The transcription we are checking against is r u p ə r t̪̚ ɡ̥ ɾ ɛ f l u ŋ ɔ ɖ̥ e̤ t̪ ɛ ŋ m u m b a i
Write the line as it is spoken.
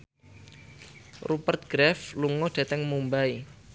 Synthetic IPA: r u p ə r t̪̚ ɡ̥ ɾ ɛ f l u ŋ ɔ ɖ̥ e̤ t̪ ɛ ŋ m u m b a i